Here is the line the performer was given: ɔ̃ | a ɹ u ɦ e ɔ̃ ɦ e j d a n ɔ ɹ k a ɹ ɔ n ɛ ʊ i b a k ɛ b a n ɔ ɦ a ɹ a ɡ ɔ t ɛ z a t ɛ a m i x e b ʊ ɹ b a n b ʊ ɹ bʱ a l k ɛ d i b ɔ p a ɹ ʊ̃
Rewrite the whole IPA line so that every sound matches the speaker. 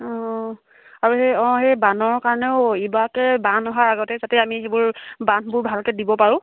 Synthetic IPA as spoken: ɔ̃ | a ɹ u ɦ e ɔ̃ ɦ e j b a n ɔ ɹ k a ɹ ɔ n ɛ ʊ i b a k ɛ b a n ɔ ɦ a ɹ a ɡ ɔ t ɛ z a t ɛ a m i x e b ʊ ɹ b a n b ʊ ɹ bʱ a l k ɛ d i b ɔ p a ɹ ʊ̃